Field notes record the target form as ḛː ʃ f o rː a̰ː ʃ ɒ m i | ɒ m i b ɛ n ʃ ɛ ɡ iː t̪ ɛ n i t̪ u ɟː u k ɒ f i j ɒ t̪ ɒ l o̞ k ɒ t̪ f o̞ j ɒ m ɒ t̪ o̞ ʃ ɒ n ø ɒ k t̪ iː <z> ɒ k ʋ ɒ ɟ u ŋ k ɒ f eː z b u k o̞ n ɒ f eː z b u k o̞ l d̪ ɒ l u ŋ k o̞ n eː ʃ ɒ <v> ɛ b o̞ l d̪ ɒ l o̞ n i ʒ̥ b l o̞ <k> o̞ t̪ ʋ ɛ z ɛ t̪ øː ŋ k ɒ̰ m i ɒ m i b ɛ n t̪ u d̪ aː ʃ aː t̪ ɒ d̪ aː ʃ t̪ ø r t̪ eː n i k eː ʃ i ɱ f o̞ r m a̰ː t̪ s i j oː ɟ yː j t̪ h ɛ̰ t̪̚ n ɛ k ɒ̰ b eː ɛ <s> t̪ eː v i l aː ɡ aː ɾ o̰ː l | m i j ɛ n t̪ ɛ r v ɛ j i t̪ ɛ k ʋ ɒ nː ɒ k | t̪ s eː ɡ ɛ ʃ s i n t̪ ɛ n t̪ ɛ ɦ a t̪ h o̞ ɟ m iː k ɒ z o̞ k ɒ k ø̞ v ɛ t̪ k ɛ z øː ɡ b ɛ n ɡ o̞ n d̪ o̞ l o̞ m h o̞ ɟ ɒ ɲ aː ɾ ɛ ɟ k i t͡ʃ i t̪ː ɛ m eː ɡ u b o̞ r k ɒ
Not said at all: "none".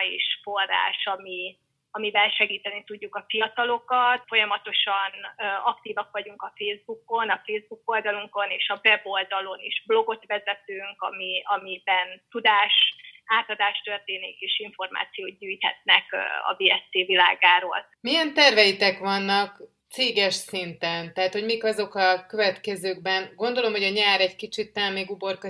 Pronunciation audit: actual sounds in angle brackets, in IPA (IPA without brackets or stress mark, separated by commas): v, v, ɡ, s